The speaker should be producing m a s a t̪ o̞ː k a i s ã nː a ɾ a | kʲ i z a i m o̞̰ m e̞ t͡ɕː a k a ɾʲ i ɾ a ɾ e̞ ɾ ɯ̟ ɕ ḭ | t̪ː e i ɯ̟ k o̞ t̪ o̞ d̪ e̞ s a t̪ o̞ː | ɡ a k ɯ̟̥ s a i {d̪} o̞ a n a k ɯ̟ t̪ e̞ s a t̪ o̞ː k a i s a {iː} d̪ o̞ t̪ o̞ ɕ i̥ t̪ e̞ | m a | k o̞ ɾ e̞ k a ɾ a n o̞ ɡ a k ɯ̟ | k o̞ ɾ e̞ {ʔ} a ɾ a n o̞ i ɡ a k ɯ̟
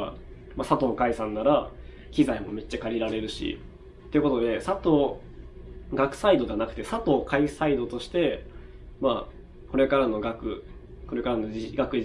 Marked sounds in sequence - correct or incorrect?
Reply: correct, incorrect, incorrect

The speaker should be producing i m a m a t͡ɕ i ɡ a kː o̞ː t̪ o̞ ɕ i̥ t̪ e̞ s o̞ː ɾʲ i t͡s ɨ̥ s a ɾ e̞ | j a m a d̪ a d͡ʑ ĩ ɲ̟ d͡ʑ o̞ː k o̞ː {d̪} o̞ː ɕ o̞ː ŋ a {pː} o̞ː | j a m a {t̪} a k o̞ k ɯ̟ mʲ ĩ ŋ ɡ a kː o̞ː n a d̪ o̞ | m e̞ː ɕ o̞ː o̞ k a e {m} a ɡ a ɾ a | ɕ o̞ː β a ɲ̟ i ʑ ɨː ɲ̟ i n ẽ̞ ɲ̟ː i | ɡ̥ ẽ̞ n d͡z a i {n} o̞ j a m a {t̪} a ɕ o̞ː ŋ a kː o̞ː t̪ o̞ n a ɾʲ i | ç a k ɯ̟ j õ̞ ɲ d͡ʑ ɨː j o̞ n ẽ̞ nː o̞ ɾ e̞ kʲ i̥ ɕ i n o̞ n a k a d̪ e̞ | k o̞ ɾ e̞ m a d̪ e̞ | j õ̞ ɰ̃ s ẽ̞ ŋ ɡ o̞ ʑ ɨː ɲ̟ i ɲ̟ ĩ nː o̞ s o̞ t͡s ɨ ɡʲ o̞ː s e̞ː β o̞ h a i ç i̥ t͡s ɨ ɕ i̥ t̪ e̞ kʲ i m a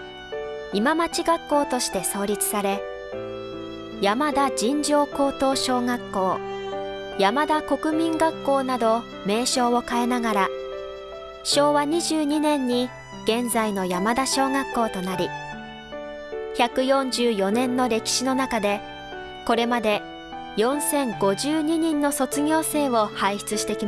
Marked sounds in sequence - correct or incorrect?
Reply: incorrect, incorrect, incorrect, incorrect, correct, incorrect

